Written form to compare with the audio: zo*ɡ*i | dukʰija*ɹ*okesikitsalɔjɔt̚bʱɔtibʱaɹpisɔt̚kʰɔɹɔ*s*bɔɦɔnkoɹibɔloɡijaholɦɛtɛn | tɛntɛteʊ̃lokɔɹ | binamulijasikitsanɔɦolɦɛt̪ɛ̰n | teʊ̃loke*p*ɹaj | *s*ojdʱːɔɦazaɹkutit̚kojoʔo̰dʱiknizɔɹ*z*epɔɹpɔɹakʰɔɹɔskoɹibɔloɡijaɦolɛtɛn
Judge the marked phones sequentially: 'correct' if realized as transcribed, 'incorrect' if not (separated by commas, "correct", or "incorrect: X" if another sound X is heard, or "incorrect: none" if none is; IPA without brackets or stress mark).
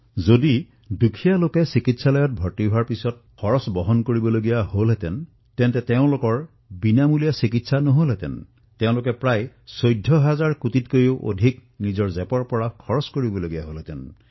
incorrect: d, incorrect: l, correct, correct, correct, correct